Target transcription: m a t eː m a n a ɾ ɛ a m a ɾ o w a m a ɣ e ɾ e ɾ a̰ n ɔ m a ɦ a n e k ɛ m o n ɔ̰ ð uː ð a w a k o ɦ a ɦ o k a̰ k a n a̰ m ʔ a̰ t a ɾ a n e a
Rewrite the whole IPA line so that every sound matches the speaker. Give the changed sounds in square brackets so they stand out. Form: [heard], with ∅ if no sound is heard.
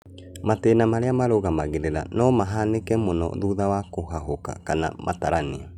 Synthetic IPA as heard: m a t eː [n] a [m] a ɾ [e] a m a ɾ o [ɣ] a m a ɣ e ɾ e ɾ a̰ n ɔ m a ɦ a n e k ɛ m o n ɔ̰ ð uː ð a w a k o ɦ a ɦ o k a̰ k a n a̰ m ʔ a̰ t a ɾ a n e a